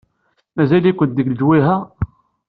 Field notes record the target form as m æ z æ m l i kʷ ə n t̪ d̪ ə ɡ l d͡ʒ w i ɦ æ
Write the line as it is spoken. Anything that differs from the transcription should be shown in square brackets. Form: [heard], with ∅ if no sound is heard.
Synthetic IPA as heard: m æ z æ [∅] l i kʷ ə n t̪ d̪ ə ɡ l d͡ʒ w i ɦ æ